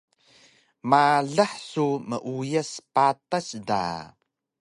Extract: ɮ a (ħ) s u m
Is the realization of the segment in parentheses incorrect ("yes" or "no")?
no